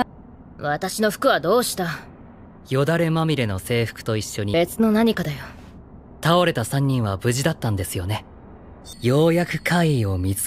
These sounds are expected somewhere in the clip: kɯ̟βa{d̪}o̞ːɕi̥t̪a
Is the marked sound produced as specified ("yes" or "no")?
yes